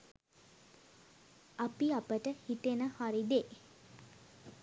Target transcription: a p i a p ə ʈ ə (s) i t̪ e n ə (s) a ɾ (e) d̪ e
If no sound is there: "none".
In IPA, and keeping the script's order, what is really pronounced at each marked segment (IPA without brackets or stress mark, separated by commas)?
h, h, i